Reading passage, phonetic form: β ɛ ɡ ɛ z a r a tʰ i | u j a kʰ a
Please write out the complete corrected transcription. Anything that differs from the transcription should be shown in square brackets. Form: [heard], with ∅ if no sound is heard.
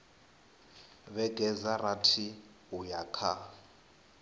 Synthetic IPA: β ɛ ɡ ɛ z a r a tʰ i | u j a kʰ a